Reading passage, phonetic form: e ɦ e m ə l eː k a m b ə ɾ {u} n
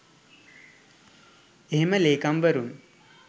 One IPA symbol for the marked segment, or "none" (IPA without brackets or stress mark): u